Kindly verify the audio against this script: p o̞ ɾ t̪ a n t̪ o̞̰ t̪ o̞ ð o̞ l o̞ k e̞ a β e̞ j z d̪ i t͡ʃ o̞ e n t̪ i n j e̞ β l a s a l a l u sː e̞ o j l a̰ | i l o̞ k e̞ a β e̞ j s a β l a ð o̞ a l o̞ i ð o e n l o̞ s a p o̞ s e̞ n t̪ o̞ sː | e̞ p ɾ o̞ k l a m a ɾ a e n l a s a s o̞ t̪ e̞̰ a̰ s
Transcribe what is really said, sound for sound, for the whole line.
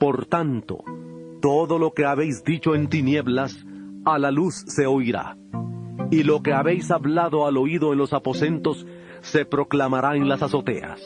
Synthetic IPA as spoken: p o̞ ɾ t̪ a n t̪ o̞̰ t̪ o̞ ð o̞ l o̞ k e̞ a β e̞ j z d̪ i t͡ʃ o̞ e n t̪ i n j e̞ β l a s a l a l u sː e̞ o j ɾ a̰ | i l o̞ k e̞ a β e̞ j s a β l a ð o̞ a l o̞ i ð o e n l o̞ s a p o̞ s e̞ n t̪ o̞ sː | e̞ p ɾ o̞ k l a m a ɾ a e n l a s a s o̞ t̪ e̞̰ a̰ s